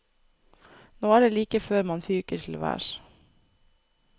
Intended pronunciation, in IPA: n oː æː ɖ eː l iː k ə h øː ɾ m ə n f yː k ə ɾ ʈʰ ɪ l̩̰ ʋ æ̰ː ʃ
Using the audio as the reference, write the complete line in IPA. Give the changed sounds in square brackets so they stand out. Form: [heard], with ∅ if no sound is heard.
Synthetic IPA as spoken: n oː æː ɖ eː l iː k ə [f] øː ɾ m [ɑ] n f yː k ə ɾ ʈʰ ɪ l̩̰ ʋ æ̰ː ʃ